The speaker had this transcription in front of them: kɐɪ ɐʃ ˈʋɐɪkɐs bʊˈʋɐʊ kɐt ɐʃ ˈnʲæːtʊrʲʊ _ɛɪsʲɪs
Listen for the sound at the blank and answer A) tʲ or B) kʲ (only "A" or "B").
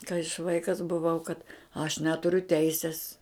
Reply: A